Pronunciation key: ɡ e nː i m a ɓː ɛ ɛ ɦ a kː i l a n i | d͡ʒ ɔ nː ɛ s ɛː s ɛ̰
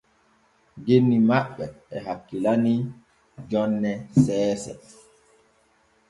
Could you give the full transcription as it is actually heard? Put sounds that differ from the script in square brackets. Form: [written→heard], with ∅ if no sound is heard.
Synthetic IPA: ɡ e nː i m a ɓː ɛ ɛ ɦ a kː i l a n i | d͡ʒ ɔ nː ɛ s ɛː s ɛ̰